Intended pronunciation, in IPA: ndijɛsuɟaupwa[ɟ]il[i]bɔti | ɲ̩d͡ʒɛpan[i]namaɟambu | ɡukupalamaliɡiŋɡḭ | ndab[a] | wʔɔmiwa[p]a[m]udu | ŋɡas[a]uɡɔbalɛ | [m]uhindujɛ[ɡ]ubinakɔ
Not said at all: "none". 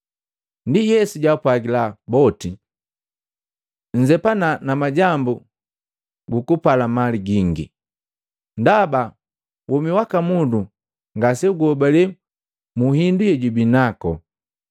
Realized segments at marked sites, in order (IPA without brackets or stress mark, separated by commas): ɡ, a, a, a, k, m, ɛ, m, ɟ